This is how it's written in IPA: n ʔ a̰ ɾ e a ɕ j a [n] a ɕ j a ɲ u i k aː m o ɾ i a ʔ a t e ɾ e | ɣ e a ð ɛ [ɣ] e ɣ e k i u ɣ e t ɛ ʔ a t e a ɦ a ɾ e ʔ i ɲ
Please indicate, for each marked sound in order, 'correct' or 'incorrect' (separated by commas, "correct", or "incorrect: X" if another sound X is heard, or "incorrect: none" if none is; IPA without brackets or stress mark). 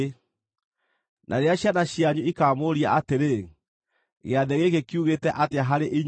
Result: correct, correct